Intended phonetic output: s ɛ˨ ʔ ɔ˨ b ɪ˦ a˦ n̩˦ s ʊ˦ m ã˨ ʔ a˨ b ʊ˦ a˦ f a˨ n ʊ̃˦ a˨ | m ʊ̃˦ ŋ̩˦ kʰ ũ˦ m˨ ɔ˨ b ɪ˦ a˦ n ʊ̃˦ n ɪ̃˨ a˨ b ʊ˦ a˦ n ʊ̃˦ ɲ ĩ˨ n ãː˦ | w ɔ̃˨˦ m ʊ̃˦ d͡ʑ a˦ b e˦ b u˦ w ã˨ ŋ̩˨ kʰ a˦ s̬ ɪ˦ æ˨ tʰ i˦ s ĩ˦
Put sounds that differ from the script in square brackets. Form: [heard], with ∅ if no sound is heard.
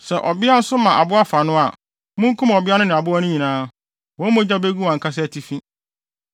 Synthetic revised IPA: s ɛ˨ ʔ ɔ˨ b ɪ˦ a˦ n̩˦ s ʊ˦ m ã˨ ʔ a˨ b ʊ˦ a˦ f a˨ n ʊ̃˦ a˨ | m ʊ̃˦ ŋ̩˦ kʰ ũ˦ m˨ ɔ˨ b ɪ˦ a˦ n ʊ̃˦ n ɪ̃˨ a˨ b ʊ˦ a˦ n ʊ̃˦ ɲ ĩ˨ n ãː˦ | w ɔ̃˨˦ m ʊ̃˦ d͡ʑ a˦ b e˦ [ɡ] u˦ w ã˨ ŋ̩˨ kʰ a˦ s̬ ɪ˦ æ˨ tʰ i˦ [f] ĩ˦